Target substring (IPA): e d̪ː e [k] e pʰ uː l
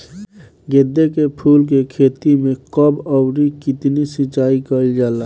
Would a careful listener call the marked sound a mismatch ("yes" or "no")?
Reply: no